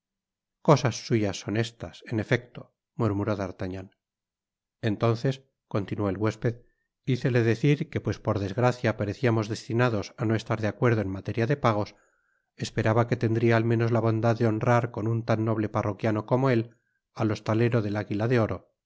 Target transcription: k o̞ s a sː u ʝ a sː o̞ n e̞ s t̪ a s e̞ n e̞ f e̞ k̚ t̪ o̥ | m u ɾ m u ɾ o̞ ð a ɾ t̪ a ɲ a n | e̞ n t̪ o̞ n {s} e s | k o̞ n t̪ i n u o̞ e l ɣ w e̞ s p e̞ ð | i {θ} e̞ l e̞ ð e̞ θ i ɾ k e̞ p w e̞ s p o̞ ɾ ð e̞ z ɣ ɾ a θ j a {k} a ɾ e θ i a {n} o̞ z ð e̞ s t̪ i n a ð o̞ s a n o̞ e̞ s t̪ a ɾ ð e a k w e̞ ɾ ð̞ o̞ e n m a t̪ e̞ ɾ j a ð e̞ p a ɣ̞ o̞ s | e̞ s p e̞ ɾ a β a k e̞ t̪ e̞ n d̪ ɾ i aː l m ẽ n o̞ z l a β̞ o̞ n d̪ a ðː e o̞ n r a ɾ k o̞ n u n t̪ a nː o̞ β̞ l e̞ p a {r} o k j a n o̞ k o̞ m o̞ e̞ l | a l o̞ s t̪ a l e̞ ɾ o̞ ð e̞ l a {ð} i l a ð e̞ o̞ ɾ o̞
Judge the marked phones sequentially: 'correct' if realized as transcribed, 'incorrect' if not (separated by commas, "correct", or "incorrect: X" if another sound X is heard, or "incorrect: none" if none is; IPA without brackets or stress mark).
incorrect: θ, correct, incorrect: p, incorrect: m, correct, incorrect: ɣ